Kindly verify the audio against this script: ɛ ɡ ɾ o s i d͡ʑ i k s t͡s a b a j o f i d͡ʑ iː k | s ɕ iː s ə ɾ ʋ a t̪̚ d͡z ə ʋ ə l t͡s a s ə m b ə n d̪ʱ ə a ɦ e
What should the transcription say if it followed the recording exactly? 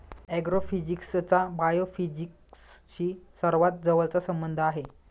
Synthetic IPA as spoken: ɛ ɡ ɾ o f i d͡ʑ i k s t͡s a b a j o f i d͡ʑ i k | s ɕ iː s ə ɾ ʋ a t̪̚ d͡z ə ʋ ə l t͡s a s ə m b ə n d̪ʱ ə a ɦ e